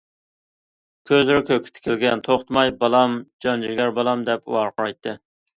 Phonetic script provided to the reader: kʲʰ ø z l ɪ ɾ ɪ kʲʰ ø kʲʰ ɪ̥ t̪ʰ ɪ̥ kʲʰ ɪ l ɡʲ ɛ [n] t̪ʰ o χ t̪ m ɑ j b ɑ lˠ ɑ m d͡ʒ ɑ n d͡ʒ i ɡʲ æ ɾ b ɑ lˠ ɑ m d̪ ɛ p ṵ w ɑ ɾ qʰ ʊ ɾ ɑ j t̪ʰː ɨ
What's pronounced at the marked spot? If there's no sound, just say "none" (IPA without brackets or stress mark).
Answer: n